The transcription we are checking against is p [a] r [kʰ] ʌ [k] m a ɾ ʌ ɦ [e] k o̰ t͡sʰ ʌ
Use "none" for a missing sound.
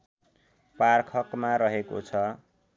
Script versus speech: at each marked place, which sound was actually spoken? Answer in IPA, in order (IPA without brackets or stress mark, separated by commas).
a, kʰ, k, e